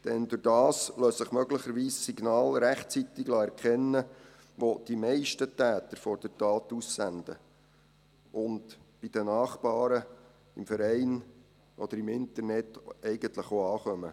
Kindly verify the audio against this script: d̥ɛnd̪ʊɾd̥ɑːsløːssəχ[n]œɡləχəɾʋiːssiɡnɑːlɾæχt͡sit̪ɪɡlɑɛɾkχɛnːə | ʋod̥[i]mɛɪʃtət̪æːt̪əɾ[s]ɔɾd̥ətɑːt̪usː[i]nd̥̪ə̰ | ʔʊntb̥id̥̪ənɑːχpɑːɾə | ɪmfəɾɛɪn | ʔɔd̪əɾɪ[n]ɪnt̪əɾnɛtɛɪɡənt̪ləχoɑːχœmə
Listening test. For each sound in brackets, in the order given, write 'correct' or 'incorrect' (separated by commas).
incorrect, correct, incorrect, incorrect, incorrect